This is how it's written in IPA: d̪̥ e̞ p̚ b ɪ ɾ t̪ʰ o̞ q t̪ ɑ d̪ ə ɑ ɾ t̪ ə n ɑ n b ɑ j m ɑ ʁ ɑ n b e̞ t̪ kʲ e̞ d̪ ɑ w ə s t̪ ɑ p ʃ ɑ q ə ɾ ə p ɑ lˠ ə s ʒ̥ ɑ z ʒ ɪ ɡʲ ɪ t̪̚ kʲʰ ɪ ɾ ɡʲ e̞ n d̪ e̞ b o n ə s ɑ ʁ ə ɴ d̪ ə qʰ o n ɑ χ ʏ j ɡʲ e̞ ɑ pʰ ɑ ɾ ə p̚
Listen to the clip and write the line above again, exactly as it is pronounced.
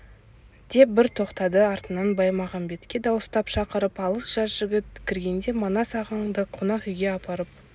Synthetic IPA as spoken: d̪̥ e̞ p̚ b ɪ ɾ t̪ʰ o̞ q t̪ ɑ d̪ ə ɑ ɾ t̪ ə n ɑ n b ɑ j m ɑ ʁ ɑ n b e̞ t̪ kʲ e̞ d̪ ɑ w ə s t̪ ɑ p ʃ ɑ q ə ɾ ə p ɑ lˠ ə s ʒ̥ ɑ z ʒ ɪ ɡʲ ɪ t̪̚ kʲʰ ɪ ɾ ɡʲ e̞ n d̪ e̞ m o n ɑ s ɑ ʁ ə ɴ d̪ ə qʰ o n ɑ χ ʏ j ɡʲ e̞ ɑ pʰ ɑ ɾ ə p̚